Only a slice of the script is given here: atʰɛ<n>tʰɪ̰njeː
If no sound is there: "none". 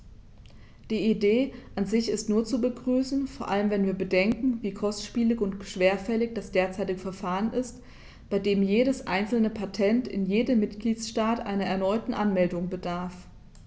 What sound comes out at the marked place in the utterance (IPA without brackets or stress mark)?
n